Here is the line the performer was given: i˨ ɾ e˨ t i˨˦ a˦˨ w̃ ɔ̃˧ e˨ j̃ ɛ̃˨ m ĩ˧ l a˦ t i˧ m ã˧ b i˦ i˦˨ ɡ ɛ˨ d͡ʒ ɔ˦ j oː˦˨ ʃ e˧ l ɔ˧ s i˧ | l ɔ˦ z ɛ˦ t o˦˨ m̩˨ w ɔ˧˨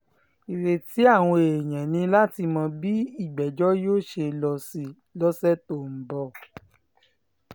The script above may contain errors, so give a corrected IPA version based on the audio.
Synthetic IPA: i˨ ɾ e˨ t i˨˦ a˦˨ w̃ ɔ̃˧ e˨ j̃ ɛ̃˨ n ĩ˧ l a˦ t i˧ m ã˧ b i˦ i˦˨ ɡ͡b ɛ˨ d͡ʒ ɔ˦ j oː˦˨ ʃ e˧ l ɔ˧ s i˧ | l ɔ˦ s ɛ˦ t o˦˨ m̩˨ b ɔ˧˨